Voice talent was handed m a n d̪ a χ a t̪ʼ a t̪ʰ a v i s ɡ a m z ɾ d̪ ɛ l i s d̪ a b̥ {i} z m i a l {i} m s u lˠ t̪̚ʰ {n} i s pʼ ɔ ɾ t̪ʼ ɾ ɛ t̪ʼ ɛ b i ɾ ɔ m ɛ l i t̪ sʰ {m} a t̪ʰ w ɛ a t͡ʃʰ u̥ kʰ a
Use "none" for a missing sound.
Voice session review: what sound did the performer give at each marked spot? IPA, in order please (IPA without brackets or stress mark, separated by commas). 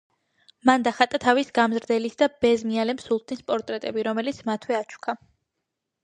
ɛ, ɛ, n, m